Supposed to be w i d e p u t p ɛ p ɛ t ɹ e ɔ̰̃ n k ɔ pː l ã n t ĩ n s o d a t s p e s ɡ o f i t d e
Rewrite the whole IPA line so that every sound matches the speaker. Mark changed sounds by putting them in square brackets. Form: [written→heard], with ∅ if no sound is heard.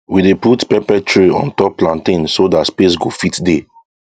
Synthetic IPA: w i d e p u t p ɛ p ɛ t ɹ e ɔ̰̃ n [k→t] ɔ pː l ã n t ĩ n s o d a t s p e s ɡ o f i t d e